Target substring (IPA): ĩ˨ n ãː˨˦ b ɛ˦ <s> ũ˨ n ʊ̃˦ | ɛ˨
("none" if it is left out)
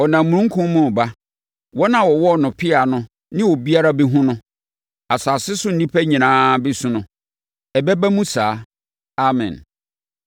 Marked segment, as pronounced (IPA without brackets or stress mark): s